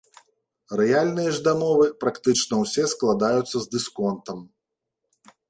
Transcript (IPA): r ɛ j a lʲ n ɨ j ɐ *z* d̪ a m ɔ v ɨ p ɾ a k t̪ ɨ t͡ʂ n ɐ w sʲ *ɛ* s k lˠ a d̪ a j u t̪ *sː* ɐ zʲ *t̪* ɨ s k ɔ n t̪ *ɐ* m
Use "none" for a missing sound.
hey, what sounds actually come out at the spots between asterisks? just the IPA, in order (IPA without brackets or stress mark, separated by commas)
ʐ, ɛ, sː, d̪, ɐ